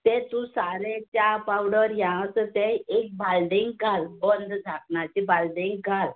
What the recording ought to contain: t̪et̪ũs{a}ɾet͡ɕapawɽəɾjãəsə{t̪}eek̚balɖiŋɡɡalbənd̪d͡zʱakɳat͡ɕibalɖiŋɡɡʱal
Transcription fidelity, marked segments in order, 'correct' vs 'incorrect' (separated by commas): correct, correct